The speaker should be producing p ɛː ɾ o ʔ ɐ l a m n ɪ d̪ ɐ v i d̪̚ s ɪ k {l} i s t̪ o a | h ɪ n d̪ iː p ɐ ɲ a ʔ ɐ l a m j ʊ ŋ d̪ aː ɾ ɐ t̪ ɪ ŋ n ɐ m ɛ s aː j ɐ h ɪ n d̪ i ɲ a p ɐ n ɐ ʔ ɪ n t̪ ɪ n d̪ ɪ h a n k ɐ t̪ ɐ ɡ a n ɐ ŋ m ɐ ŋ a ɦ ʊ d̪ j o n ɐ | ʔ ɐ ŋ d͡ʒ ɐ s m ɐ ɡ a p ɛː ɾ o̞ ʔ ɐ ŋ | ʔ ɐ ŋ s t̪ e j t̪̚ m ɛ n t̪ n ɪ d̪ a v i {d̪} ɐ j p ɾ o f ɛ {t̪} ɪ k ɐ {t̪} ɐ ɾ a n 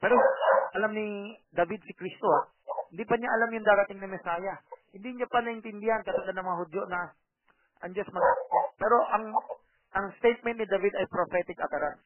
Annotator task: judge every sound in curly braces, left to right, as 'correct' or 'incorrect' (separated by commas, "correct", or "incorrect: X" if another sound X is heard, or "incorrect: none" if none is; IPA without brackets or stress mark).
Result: incorrect: ɾ, correct, correct, correct